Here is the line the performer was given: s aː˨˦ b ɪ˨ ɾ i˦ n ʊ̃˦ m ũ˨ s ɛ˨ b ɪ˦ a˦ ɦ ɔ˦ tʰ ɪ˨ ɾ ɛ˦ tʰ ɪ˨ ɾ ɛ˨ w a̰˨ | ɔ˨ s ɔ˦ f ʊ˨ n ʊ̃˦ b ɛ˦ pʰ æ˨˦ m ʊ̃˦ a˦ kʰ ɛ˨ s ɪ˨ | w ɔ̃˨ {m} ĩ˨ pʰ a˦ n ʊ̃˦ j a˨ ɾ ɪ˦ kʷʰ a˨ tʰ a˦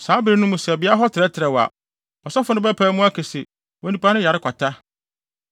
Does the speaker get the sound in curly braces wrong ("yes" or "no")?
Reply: yes